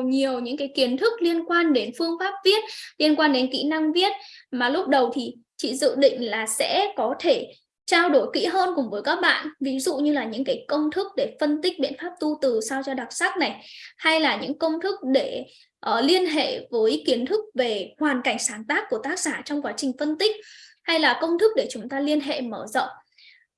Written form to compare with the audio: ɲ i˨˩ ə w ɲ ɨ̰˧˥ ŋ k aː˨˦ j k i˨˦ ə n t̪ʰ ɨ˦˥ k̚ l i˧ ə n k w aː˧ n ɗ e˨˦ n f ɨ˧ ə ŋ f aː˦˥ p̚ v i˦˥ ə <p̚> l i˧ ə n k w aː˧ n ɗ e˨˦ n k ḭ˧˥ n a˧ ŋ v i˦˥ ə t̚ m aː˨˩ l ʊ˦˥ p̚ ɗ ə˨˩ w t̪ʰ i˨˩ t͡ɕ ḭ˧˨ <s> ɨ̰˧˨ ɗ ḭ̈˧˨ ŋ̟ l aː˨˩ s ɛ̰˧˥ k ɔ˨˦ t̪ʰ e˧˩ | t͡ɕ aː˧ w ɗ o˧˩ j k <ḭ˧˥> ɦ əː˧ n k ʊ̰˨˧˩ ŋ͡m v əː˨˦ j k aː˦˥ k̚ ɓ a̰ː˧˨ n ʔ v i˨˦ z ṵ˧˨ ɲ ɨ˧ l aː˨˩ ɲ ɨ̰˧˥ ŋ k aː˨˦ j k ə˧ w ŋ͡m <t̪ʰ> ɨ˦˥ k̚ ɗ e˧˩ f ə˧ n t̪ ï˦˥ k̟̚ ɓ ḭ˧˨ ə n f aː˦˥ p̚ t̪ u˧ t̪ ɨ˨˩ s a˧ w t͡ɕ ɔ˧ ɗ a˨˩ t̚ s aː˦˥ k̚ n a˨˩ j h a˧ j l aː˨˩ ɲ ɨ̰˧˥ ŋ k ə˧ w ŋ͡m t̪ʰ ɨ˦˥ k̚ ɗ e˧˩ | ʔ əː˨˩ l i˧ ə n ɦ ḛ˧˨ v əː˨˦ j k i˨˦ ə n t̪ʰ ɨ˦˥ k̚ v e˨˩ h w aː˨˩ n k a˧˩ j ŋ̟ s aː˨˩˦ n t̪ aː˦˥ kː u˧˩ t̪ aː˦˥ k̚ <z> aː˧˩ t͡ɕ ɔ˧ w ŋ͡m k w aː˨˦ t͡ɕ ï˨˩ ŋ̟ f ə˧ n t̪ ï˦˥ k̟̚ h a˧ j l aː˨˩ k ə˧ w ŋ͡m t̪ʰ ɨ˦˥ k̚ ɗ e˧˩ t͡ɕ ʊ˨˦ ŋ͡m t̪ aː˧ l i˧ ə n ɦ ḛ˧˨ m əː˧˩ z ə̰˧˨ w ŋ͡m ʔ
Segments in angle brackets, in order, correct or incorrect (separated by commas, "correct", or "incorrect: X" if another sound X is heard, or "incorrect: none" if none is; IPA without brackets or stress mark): incorrect: t̚, incorrect: z, correct, correct, incorrect: s